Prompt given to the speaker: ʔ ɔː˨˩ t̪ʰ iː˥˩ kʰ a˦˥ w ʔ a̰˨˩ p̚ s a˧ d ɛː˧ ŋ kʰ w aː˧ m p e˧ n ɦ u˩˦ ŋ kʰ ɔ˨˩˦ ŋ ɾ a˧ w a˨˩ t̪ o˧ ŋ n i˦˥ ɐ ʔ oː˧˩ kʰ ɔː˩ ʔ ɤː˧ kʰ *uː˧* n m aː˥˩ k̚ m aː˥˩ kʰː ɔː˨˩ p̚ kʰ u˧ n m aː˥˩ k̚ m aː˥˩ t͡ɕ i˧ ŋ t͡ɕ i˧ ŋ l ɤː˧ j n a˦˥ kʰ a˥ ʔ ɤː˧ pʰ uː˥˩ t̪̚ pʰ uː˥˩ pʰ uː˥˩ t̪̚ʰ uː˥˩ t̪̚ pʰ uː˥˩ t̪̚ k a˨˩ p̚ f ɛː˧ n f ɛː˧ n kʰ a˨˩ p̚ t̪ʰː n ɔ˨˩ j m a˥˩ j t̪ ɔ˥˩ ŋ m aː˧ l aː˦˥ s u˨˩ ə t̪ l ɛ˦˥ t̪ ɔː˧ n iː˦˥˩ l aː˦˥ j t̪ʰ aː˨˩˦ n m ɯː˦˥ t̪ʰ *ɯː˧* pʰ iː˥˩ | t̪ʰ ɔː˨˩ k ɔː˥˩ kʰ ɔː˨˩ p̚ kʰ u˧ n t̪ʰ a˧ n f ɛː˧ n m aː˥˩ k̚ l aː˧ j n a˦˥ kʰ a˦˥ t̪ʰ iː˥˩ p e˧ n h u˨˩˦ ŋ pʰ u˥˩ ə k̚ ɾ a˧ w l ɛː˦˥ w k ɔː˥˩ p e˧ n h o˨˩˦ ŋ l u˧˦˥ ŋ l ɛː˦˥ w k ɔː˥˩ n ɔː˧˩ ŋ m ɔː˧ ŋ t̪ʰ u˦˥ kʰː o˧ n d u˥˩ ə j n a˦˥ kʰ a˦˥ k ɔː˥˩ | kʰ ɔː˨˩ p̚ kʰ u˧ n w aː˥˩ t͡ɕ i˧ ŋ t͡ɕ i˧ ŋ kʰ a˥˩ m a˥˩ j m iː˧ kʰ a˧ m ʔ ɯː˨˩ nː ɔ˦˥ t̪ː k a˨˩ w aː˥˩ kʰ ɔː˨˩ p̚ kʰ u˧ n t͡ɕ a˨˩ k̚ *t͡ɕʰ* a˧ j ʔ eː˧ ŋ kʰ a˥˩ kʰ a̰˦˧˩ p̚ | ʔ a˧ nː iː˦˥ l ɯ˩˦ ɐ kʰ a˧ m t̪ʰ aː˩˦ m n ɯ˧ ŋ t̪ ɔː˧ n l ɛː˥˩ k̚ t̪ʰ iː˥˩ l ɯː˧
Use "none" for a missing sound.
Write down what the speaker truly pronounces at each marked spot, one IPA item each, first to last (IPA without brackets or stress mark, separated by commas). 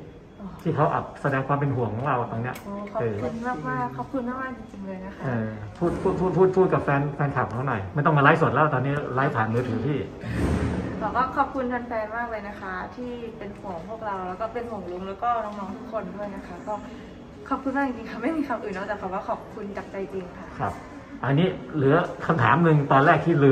u˧, ɯː˩˦, t͡ɕ